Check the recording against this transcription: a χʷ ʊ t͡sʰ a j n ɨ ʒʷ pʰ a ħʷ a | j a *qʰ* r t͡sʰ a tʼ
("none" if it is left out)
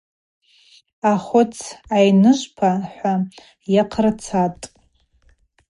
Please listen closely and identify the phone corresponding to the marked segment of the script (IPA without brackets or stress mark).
qʰ